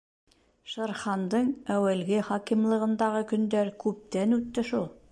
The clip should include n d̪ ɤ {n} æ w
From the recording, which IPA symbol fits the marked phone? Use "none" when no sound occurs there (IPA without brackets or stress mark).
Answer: ɴ